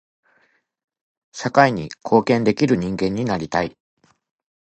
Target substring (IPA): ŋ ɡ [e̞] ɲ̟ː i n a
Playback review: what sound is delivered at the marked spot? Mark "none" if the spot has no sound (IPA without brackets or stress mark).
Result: ẽ̞